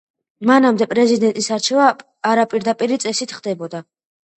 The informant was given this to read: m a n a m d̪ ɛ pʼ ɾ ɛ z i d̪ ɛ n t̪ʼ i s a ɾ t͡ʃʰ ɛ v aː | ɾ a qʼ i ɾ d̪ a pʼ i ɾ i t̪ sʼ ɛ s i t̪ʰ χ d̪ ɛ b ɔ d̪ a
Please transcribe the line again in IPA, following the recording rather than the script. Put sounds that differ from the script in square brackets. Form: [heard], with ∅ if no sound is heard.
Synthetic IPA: m a n a m d̪ ɛ pʼ ɾ ɛ z i d̪ ɛ n t̪ʼ i s a ɾ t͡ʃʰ ɛ v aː | ɾ a [pʼ] i ɾ d̪ a pʼ i ɾ i t̪ sʼ ɛ s i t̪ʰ χ d̪ ɛ b ɔ d̪ a